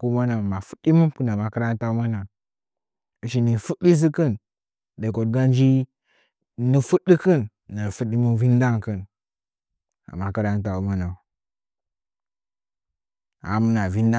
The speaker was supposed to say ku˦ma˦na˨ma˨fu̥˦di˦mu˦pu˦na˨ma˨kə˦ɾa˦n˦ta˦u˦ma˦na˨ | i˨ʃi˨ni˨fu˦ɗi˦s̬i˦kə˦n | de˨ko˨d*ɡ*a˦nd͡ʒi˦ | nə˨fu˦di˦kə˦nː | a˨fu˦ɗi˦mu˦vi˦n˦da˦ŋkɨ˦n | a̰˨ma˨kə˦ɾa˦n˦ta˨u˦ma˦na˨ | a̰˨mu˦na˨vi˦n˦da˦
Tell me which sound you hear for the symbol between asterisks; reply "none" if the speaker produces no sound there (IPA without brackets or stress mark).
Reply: ɡ